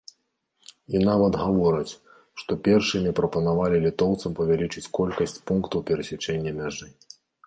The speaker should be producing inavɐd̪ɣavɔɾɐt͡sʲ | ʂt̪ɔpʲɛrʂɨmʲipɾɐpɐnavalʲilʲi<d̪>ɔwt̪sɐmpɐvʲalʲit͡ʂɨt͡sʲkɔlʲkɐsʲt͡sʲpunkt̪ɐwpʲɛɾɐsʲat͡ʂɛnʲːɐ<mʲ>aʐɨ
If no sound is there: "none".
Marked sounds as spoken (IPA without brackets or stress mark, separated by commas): t̪, mʲ